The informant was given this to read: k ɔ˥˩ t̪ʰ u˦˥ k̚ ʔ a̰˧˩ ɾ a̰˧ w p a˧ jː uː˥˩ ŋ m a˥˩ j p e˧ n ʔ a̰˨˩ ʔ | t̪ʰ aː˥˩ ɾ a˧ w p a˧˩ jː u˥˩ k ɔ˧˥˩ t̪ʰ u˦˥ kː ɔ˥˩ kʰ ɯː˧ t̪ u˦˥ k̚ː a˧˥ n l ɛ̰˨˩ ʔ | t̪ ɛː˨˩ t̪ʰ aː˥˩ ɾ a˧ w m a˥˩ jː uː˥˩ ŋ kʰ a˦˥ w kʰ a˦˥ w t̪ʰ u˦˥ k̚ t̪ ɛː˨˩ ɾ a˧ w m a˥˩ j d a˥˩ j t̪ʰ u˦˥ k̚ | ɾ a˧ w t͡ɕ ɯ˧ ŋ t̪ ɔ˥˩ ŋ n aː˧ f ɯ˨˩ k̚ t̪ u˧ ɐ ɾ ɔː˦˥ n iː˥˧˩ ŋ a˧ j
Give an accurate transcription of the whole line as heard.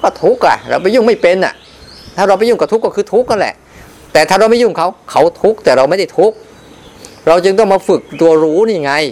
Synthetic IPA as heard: k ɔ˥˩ t̪ʰ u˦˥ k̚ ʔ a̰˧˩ ɾ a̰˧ w p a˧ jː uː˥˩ ŋ m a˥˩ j p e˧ n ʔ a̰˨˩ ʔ | t̪ʰ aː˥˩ ɾ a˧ w p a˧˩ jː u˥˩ k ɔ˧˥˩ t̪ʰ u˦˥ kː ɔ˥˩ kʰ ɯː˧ t̪ʰ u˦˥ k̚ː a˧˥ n l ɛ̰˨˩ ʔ | t̪ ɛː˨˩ t̪ʰ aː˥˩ ɾ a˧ w m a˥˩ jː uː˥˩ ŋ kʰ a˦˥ w kʰ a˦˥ w t̪ʰ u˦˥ k̚ t̪ ɛː˨˩ ɾ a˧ w m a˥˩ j d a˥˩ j t̪ʰ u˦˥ k̚ | ɾ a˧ w t͡ɕ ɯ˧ ŋ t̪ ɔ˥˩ ŋ m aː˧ f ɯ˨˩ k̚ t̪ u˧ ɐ ɾ uː˦˥ n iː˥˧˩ ŋ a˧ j